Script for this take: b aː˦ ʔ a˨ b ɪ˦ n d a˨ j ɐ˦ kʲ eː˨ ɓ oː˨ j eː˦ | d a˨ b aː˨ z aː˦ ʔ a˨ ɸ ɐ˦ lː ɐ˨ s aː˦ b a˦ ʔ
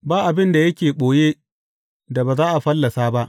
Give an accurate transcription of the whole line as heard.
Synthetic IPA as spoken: b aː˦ ʔ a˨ b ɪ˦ n d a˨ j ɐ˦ kʲ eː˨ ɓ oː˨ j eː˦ | d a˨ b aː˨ z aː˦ ʔ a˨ ɸ ɐ˦ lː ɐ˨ s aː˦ b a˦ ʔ